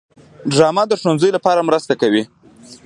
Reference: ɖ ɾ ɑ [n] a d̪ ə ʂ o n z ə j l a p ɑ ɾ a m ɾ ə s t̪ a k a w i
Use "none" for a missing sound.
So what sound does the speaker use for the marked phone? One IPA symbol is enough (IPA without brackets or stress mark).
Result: m